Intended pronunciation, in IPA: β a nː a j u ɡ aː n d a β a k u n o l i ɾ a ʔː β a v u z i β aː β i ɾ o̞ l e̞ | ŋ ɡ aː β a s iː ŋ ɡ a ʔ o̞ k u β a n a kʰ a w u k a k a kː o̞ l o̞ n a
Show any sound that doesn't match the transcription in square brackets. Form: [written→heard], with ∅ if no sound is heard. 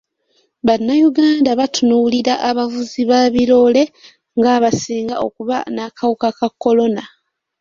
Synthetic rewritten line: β a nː a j u ɡ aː n d a β a [k→t] u n [o→u] l i ɾ a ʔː β a v u z i β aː β i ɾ o̞ l e̞ | ŋ ɡ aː β a s iː ŋ ɡ a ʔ o̞ k u β a n a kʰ a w u k a k a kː o̞ l o̞ n a